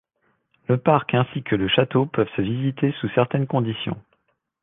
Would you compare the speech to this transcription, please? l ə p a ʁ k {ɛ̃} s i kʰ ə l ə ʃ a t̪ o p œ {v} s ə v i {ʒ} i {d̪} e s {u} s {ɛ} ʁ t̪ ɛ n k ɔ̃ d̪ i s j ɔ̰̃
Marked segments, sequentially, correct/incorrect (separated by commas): correct, correct, incorrect, incorrect, correct, correct